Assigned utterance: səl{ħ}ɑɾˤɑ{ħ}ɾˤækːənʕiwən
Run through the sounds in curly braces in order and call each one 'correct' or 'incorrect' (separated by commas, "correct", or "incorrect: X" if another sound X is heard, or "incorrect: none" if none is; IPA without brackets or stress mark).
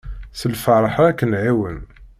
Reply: incorrect: f, correct